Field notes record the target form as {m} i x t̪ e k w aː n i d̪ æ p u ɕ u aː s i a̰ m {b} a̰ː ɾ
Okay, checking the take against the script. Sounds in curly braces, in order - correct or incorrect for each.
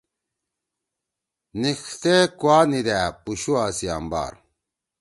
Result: incorrect: n, correct

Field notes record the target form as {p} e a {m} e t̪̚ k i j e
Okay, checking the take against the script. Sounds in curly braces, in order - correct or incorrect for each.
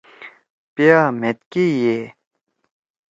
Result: correct, correct

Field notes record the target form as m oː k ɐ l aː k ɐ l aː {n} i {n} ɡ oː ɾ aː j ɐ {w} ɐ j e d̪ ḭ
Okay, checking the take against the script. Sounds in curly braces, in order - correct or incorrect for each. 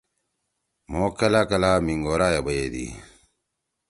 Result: incorrect: m, incorrect: ŋ, incorrect: b

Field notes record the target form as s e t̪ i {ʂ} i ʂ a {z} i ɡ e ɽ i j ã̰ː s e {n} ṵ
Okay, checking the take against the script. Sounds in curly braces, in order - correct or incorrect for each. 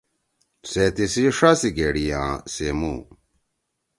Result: incorrect: s, incorrect: s, incorrect: m

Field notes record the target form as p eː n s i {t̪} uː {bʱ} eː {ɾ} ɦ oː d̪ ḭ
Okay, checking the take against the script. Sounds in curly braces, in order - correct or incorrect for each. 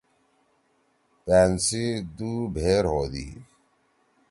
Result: incorrect: d̪, correct, correct

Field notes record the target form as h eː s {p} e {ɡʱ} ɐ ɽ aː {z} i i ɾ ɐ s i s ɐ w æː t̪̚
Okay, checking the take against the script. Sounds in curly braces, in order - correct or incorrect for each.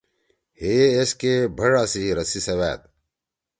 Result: incorrect: k, incorrect: bʱ, incorrect: s

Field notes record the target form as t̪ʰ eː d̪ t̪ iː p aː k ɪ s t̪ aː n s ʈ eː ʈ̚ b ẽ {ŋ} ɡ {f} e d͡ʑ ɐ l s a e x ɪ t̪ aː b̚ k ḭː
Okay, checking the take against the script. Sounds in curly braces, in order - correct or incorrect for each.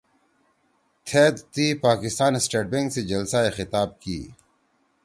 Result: correct, incorrect: s

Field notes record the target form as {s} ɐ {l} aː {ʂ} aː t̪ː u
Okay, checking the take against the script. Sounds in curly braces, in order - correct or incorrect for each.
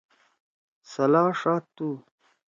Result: correct, correct, correct

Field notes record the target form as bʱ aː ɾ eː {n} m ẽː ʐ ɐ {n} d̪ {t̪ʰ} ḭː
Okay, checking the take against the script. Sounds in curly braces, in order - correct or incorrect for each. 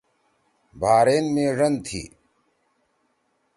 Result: correct, correct, correct

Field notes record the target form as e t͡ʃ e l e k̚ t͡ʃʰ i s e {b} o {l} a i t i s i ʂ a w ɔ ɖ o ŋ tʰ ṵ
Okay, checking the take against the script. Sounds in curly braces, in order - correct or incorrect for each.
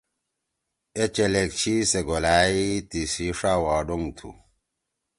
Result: incorrect: ɡ, correct

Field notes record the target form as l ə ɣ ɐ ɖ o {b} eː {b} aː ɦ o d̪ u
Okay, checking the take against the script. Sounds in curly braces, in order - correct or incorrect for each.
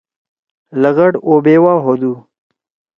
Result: correct, incorrect: w

